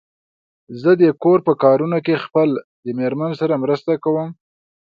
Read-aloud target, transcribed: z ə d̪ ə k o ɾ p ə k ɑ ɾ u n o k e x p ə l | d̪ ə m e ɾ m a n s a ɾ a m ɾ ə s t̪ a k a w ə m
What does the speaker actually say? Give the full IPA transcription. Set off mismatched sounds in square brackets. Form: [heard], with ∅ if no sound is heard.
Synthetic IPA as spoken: z ə d̪ ə k o ɾ p ə k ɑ ɾ u n o k e x p ə l | d̪ ə m e ɾ m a n s a ɾ a m ɾ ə s t̪ a k a w ə m